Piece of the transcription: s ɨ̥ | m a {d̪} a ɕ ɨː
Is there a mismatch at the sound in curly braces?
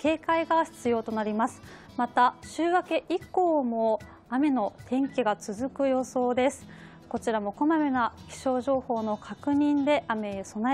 yes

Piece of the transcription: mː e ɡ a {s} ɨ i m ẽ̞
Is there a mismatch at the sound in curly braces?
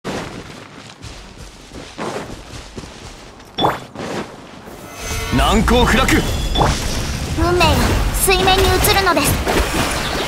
no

